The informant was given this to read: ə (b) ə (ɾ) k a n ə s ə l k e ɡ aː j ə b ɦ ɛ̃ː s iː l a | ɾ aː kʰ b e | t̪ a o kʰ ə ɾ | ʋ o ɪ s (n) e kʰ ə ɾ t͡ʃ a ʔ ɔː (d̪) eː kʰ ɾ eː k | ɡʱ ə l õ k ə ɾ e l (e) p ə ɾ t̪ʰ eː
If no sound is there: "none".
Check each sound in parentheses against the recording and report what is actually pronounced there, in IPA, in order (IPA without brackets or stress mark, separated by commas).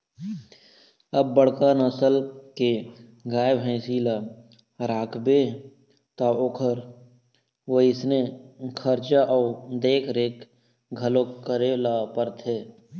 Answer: bː, ɽ, n, d̪, a